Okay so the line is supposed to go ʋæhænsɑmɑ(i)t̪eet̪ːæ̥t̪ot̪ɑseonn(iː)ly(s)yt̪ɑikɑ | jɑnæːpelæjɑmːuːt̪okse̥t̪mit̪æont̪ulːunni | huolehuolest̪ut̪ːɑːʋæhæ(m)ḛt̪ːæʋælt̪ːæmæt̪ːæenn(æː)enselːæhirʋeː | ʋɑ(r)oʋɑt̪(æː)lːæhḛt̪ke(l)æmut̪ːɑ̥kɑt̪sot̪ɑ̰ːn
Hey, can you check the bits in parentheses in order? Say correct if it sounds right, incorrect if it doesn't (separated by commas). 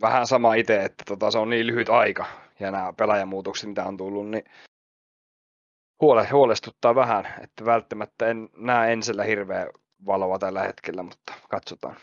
correct, correct, incorrect, incorrect, correct, incorrect, incorrect, incorrect